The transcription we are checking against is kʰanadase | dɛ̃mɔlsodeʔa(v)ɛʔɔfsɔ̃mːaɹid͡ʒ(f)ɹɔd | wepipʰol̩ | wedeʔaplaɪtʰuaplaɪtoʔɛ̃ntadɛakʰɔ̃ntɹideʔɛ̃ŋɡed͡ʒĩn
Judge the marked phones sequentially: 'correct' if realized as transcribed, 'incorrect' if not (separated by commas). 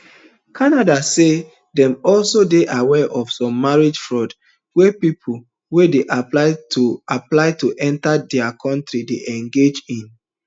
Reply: incorrect, correct